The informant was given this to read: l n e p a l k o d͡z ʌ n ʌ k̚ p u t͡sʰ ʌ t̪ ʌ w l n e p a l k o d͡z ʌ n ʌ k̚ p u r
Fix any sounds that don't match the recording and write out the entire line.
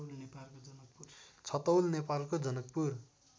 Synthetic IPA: l n e p a l k o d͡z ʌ n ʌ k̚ p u t͡sʰ ʌ t̪ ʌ w l n e p a l k o d͡z ʌ n ʌ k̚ p u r